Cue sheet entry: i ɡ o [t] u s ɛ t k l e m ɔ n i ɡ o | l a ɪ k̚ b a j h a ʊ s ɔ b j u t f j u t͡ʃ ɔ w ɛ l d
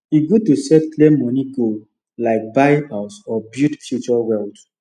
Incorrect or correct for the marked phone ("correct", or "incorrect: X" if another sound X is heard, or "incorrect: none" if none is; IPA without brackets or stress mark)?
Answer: correct